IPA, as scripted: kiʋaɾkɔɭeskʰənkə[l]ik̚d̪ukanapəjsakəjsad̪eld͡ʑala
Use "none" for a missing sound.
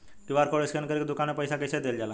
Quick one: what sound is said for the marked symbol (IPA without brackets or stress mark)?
ɾ